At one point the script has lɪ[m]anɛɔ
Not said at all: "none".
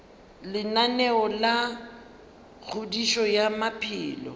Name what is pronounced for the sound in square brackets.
n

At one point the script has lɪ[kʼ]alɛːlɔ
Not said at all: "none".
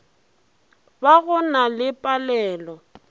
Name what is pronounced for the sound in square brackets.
pʼ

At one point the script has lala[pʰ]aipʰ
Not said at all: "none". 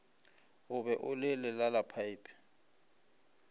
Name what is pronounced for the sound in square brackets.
pʰ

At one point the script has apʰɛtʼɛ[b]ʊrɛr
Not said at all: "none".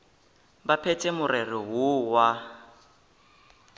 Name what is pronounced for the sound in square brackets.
m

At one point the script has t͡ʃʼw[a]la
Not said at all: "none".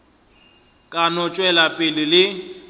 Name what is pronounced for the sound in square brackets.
ɛ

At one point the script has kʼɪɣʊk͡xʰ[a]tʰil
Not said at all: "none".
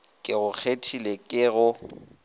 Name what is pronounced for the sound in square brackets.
e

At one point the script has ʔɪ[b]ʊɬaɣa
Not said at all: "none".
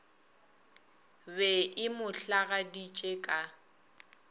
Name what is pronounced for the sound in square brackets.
m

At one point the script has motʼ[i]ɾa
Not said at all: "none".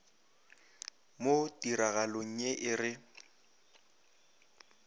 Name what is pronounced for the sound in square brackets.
i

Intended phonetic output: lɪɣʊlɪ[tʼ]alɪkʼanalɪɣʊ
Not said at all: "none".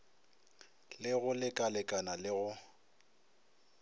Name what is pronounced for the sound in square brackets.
kʼ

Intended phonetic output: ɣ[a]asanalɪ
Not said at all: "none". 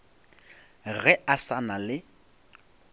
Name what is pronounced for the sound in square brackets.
ɛ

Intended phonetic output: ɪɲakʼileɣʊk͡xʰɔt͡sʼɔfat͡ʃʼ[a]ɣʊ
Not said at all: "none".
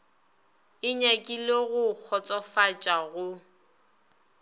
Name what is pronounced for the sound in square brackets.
a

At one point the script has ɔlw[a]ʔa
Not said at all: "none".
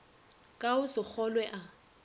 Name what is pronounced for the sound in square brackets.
ɛ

